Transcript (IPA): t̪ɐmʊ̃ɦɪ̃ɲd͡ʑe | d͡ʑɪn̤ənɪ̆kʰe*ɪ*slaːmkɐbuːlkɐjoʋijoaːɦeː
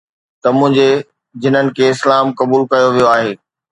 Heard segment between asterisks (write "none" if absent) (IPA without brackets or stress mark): ɪ